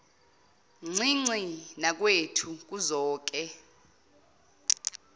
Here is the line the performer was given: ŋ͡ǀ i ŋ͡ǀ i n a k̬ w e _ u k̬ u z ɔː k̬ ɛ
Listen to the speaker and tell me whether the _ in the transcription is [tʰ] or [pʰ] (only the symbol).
tʰ